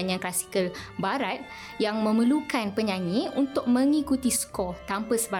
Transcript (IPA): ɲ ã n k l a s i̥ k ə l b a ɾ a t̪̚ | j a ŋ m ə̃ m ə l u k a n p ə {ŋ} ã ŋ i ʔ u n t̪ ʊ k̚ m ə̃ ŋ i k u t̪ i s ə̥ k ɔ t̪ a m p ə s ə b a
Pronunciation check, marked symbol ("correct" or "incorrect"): incorrect